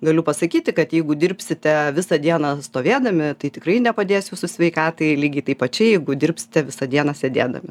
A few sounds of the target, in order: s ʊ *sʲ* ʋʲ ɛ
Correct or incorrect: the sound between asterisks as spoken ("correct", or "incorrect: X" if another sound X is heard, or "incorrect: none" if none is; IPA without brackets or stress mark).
correct